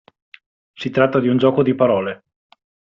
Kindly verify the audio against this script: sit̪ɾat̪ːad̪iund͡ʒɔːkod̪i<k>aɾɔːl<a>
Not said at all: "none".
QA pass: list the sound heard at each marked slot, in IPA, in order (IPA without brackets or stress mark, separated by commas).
p, e